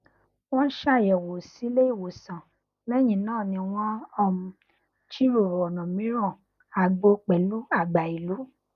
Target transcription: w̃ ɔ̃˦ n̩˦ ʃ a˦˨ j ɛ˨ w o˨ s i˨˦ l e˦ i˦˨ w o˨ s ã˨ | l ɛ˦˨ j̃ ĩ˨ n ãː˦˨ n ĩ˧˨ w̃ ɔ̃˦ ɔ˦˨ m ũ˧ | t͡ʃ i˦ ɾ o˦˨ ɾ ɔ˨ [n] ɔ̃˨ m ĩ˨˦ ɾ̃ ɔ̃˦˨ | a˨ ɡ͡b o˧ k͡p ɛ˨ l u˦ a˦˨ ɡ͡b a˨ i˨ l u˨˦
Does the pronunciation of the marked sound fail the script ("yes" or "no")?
no